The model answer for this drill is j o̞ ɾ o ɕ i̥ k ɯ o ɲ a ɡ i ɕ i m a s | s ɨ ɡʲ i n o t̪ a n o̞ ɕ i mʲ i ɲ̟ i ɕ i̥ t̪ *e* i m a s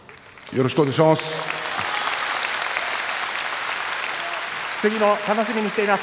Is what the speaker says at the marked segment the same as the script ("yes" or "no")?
yes